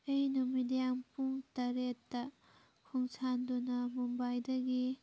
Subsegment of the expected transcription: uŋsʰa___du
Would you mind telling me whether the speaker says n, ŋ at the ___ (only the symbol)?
n